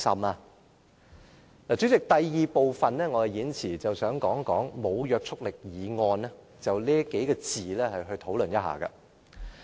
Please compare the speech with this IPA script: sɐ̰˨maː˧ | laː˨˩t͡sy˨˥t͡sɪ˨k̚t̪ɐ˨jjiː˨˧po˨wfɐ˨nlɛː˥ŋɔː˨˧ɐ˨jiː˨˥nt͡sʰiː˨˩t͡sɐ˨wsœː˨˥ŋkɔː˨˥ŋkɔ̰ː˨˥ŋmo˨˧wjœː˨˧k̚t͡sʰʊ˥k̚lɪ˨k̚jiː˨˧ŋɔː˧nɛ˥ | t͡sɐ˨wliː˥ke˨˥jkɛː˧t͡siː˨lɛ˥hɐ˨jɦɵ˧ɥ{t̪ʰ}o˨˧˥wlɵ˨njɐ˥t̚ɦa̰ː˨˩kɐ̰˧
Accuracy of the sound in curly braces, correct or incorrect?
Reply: correct